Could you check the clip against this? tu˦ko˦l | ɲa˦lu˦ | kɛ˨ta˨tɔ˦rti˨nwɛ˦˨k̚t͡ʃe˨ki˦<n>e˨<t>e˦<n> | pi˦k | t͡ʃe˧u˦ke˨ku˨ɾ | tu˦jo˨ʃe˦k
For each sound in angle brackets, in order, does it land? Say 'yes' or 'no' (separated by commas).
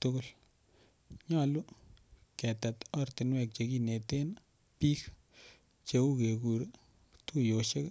yes, yes, yes